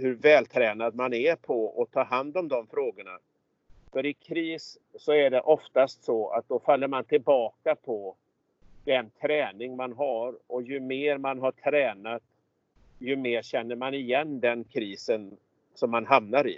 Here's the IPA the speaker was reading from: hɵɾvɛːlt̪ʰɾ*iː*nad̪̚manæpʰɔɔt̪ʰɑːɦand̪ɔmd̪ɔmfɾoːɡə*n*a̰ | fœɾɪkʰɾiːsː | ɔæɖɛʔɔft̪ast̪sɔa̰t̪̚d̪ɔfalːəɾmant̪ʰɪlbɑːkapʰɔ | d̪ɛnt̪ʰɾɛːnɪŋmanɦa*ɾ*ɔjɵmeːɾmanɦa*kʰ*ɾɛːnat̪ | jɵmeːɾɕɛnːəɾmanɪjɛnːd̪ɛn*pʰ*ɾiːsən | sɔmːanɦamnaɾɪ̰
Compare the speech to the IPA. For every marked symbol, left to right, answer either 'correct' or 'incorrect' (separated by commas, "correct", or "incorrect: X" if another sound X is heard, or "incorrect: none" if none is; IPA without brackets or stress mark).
incorrect: ɛː, incorrect: ɳ, correct, incorrect: ʈʰ, incorrect: kʰ